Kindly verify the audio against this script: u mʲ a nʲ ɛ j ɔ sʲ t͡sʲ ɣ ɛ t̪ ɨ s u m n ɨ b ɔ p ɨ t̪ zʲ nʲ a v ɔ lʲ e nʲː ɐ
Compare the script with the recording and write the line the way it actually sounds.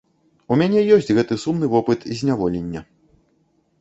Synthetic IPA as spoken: u mʲ a nʲ ɛ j ɔ sʲ t͡sʲ ɣ ɛ t̪ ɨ s u m n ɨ v ɔ p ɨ t̪ zʲ nʲ a v ɔ lʲ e nʲː ɐ